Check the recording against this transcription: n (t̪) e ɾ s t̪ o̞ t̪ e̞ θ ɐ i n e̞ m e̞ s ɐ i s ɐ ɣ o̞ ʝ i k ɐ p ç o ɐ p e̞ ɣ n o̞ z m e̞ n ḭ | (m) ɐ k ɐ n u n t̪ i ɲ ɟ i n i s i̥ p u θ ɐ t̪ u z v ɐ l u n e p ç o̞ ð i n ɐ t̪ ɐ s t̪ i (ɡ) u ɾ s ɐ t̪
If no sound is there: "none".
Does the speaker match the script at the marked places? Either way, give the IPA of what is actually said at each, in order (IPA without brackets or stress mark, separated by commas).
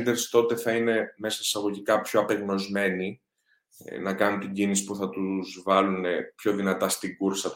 d̪, n, ɡ